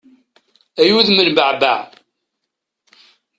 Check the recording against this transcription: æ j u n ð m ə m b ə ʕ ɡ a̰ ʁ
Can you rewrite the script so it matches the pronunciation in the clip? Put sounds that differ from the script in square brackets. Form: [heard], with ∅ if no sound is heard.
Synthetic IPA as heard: æ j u [∅] ð m ə [n] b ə ʕ [b] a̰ [ʕ]